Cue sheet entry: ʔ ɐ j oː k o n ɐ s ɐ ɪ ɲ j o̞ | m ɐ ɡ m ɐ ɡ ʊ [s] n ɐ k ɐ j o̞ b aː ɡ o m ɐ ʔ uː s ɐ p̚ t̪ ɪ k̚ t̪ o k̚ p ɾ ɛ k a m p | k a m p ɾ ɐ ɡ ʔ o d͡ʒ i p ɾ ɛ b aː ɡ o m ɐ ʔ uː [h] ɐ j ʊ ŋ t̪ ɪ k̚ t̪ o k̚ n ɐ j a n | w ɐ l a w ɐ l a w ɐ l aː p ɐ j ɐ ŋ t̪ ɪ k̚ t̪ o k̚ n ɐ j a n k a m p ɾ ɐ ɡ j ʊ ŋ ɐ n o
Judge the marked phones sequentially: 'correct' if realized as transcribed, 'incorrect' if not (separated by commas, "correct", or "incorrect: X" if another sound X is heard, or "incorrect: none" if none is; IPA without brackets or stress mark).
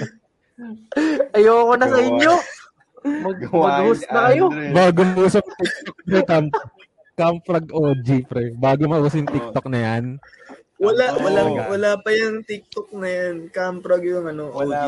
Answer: correct, incorrect: s